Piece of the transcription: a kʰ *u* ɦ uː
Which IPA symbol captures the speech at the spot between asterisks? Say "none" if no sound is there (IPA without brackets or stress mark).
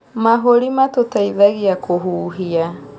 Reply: o